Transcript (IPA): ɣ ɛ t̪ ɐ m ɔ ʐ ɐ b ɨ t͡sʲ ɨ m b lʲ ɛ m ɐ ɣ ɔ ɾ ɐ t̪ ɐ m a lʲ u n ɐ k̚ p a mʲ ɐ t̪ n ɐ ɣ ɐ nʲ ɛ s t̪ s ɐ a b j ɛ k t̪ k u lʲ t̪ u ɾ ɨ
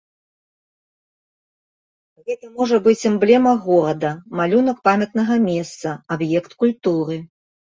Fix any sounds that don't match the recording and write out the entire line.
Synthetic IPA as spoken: ɣ ɛ t̪ ɐ m ɔ ʐ ɐ b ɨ t͡sʲ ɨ m b lʲ ɛ m ɐ ɣ ɔ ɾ ɐ d̪ ɐ m a lʲ u n ɐ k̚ p a mʲ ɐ t̪ n ɐ ɣ ɐ mʲ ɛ s t̪ s ɐ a b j ɛ k t̪ k u lʲ t̪ u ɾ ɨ